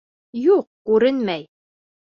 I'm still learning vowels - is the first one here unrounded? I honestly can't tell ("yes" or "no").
no